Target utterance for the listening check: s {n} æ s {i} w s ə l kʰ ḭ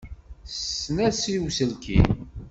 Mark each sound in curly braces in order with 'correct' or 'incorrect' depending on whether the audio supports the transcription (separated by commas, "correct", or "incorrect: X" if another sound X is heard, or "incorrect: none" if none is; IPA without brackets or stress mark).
correct, correct